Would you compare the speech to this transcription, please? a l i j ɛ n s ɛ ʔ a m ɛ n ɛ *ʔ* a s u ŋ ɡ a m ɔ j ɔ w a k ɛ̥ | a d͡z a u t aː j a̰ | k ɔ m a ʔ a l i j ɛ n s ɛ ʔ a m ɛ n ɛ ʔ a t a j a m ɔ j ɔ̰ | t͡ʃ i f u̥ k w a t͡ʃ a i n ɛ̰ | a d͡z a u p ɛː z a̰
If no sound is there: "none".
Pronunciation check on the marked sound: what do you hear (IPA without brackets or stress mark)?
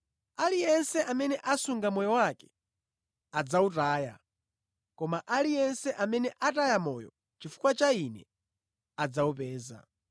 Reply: ʔ